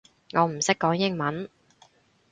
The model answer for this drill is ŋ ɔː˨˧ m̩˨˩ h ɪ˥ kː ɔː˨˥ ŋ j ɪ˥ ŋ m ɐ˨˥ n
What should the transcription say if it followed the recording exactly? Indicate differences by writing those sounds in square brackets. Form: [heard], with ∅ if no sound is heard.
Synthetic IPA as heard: ŋ ɔː˨˧ m̩˨˩ [s] ɪ˥ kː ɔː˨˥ ŋ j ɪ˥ ŋ m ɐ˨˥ n